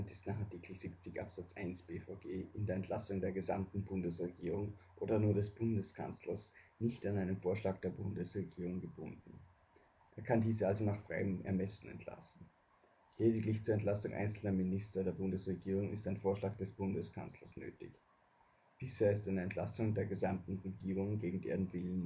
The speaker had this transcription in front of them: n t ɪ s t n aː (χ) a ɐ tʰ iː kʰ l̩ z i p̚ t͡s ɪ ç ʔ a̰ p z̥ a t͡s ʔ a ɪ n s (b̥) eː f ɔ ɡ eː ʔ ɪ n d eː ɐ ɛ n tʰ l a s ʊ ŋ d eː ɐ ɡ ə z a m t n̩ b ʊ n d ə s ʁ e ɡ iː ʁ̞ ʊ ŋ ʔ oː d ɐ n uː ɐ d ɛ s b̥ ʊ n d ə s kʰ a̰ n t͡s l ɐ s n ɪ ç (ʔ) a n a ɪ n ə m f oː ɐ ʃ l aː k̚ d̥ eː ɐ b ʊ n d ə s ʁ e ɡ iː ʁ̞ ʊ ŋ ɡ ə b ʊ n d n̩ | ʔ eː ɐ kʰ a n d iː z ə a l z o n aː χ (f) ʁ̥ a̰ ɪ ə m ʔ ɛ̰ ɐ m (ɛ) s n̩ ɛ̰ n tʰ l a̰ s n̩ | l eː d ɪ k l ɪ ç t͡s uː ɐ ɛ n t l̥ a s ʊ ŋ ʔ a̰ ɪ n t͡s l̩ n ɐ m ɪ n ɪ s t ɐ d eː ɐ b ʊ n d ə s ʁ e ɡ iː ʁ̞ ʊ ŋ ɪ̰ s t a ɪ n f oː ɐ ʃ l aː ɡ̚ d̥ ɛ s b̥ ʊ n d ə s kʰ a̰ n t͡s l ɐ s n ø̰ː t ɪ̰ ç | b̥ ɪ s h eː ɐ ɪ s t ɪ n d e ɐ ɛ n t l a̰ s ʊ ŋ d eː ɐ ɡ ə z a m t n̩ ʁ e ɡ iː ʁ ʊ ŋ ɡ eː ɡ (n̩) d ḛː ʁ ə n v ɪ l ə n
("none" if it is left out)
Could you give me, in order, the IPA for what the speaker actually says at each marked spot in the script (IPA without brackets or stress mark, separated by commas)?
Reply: χ, b̥, t, f, ɛ, ŋ̩